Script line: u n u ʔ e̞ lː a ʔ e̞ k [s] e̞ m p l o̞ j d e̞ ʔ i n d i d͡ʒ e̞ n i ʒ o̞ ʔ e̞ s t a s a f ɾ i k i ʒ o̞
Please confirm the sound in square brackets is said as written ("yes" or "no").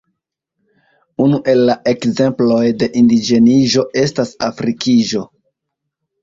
no